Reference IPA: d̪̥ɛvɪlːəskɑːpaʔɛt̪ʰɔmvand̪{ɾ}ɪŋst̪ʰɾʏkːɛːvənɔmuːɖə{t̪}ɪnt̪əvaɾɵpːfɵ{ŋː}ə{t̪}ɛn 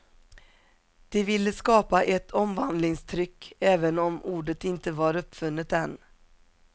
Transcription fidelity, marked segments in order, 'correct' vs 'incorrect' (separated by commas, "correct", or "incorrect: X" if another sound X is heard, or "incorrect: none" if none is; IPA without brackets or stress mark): incorrect: l, correct, incorrect: nː, correct